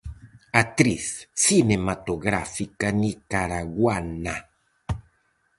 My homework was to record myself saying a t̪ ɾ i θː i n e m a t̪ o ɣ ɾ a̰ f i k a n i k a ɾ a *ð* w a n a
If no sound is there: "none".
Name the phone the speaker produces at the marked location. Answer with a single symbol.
ɣ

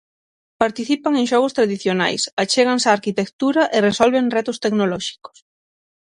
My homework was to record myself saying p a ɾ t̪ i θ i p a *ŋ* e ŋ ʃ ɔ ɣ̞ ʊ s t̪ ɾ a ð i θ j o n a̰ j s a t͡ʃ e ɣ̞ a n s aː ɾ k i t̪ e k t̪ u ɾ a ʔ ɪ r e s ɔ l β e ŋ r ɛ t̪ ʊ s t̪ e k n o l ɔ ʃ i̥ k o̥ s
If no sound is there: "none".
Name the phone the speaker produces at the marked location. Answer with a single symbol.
ŋ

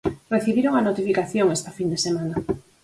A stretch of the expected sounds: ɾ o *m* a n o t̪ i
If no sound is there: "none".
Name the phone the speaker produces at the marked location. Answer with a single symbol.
ŋ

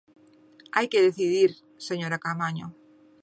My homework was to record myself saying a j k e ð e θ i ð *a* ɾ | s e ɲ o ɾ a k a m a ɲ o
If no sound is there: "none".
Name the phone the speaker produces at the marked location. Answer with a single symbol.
i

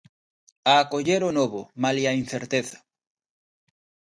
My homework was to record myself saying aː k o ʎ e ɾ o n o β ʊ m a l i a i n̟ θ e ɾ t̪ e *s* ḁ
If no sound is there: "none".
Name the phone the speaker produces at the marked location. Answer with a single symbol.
θ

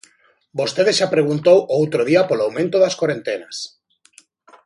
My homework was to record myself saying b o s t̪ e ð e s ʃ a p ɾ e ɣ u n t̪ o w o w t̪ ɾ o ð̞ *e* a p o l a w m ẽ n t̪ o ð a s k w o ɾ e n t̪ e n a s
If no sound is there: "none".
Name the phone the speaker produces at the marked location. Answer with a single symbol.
i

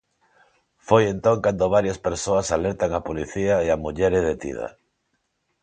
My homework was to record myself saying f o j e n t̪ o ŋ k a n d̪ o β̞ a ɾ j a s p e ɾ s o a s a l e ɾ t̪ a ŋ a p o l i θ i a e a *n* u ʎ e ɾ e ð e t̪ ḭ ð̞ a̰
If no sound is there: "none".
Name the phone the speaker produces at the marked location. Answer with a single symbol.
m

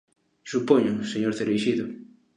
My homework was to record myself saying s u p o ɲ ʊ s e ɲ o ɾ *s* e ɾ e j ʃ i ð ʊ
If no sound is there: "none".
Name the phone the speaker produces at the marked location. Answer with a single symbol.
θ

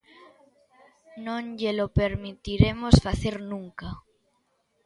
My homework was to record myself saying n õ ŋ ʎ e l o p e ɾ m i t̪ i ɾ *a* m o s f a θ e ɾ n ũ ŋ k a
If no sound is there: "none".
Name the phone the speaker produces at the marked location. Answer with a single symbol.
e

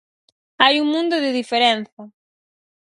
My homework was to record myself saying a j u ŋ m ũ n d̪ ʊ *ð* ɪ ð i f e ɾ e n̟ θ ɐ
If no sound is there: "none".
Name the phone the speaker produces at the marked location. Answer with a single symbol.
ð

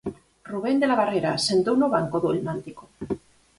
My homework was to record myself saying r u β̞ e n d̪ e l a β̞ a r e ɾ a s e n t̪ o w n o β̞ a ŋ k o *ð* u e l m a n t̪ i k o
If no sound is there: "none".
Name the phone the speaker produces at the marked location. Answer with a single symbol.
ð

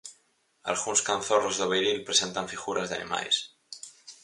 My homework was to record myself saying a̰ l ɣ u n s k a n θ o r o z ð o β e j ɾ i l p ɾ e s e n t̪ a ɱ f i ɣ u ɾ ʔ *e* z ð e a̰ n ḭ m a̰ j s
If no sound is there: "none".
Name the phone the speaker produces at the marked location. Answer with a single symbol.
a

